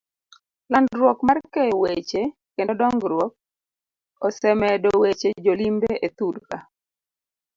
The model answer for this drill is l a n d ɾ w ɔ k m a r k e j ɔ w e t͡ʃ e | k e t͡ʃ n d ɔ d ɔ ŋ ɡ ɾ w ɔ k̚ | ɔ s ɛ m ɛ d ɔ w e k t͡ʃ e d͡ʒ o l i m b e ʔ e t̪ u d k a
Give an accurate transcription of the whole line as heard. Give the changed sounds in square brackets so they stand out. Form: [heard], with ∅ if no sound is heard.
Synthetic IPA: l a n d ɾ w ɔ k m a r k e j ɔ w e t͡ʃ e | k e [∅] n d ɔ d ɔ ŋ ɡ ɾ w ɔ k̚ | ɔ s ɛ m ɛ d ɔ w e [∅] t͡ʃ e d͡ʒ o l i m b e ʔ e t̪ u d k a